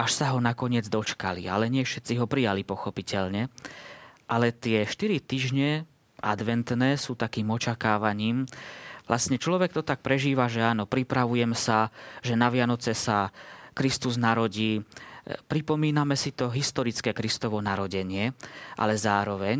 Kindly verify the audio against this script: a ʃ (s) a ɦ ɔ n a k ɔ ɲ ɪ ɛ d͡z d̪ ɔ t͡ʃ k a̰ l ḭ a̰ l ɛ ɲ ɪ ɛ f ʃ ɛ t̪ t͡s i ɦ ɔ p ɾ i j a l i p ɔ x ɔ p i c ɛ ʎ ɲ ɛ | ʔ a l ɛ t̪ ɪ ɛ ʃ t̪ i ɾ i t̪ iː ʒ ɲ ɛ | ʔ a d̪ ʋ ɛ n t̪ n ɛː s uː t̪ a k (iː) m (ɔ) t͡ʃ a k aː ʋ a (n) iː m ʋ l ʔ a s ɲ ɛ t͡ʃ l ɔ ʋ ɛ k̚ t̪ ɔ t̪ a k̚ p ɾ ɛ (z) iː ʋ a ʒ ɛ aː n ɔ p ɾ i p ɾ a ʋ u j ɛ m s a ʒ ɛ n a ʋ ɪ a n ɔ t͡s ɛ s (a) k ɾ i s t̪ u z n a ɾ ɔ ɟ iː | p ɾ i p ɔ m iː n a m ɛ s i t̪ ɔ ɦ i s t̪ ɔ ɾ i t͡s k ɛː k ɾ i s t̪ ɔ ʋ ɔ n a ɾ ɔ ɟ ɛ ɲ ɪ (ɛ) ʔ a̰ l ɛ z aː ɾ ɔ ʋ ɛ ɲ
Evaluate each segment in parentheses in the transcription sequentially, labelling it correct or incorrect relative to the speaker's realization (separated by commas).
correct, correct, correct, incorrect, incorrect, correct, correct